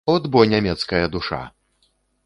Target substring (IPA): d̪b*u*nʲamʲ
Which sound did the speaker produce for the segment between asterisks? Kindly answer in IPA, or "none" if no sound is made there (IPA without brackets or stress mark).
ɔ